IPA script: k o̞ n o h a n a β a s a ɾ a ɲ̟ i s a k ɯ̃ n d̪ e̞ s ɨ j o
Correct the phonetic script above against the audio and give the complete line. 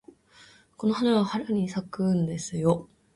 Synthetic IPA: k o̞ n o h a n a β a h a ɾ a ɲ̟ i s a k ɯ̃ n d̪ e̞ s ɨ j o

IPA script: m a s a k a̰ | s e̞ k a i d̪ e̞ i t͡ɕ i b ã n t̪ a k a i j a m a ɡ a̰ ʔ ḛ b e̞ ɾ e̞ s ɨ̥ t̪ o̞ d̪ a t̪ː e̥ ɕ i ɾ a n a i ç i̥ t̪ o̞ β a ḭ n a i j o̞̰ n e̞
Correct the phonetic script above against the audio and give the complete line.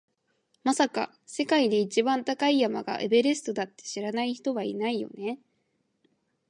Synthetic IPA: m a s a k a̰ | s e̞ k a i d̪ e̞ i t͡ɕ i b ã n t̪ a k a i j a m a ɡ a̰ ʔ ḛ b e̞ ɾ e̞ s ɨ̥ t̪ o̞ d̪ a t̪ː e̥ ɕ i ɾ a n a i ç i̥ t̪ o̞ β a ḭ n a i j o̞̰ n e̞

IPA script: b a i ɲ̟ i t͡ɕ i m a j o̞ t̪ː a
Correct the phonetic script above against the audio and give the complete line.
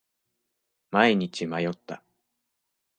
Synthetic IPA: m a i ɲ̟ i t͡ɕ i m a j o̞ t̪ː a

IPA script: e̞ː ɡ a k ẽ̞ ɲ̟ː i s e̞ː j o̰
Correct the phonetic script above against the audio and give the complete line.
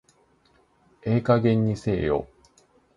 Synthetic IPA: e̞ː k a ɡ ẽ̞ ɲ̟ː i s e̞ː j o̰

